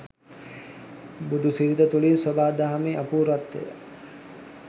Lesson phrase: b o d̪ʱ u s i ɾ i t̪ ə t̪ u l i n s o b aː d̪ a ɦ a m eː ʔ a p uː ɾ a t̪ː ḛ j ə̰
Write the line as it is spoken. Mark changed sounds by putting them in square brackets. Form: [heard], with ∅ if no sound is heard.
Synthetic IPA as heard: b [u] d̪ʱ u s i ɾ i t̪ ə t̪ u l i n s o b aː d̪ a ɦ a m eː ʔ a p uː ɾ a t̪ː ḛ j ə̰